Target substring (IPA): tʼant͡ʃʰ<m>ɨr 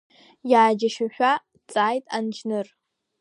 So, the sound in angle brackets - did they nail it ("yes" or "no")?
no